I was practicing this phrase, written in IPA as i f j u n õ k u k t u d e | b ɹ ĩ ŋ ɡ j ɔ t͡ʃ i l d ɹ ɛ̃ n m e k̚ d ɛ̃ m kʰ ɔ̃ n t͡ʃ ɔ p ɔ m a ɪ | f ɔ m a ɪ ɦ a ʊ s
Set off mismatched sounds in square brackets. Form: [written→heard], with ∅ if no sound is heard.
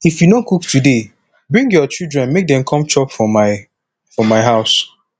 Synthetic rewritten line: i f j u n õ k u k t u d e | b ɹ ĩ ŋ ɡ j ɔ t͡ʃ i l d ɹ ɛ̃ n m e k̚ d ɛ̃ m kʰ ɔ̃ [n→m] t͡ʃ ɔ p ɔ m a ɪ | f ɔ m a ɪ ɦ a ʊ s